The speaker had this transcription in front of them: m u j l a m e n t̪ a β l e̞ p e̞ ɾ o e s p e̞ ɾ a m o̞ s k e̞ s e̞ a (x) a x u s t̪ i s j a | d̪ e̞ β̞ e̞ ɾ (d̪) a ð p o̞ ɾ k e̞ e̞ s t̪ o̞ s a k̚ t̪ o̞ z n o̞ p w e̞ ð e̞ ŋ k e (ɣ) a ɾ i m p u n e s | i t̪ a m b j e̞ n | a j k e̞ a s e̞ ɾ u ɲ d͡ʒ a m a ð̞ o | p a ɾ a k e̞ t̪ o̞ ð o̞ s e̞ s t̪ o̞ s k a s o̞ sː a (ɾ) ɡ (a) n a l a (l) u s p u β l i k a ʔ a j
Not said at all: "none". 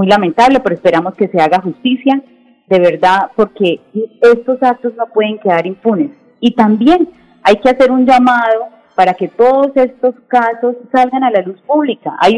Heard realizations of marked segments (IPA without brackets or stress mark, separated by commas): ɣ, d̪, ð, l, a, l